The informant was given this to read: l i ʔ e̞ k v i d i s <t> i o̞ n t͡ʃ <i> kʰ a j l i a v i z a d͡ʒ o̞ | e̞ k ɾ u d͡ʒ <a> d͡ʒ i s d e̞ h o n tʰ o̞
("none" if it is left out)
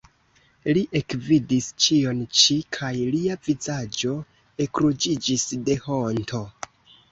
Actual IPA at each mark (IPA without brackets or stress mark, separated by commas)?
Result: t͡ʃ, i, i